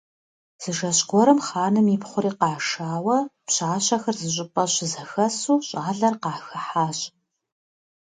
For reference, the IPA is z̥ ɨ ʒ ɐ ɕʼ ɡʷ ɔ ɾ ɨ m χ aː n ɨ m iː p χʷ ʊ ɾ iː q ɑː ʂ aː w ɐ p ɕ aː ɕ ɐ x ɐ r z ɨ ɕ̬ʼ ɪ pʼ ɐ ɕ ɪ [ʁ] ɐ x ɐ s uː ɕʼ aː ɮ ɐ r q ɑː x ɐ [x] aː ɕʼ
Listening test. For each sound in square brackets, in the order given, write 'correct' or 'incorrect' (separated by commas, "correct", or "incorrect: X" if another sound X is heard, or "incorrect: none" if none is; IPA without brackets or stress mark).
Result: incorrect: z, incorrect: ħ